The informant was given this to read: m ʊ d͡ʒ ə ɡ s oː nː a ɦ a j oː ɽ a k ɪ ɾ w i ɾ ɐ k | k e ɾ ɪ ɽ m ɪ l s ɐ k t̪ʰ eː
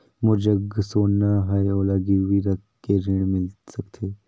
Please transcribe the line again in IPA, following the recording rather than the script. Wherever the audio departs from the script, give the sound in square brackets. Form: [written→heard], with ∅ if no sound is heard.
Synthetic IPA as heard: m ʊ d͡ʒ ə ɡ s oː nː a ɦ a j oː [ɽ→l] a [k→ɡ] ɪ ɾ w i ɾ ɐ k | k e ɾ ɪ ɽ m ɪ l s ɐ k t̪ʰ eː